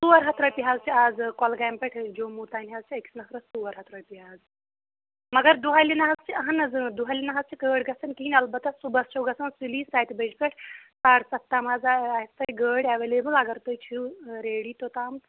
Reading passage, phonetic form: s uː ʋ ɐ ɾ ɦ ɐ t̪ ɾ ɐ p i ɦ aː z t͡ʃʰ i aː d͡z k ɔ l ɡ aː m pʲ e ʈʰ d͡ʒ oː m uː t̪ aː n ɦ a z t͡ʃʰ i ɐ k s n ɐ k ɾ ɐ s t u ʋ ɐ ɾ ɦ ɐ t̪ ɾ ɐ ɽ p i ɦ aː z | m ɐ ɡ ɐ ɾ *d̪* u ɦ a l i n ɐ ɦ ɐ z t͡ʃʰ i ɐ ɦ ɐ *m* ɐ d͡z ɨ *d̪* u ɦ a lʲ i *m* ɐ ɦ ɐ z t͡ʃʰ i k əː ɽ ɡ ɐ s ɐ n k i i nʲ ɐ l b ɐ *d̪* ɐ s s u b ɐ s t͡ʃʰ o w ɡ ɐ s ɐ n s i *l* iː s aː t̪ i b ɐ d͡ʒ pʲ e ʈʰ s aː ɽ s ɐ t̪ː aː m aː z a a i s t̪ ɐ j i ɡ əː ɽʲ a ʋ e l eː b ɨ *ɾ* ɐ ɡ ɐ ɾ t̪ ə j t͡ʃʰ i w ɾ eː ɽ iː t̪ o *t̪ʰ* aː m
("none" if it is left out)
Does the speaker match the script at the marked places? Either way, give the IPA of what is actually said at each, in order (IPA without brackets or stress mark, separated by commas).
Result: d̪, n, d̪, n, t̪, l, l, t̪